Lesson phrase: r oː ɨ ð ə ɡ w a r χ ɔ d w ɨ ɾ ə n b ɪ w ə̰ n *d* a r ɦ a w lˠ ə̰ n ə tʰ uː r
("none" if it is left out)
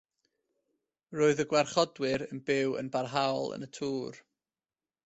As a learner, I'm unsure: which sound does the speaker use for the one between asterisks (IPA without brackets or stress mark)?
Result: b